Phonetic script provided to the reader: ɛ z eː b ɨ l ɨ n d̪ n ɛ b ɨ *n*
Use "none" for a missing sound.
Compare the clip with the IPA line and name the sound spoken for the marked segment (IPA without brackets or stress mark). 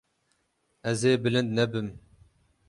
m